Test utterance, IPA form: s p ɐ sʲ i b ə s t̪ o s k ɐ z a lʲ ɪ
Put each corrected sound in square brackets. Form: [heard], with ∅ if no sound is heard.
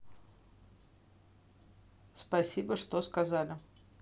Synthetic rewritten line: s p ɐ sʲ i b ə [ʂ] t̪ o s k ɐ z a lʲ ɪ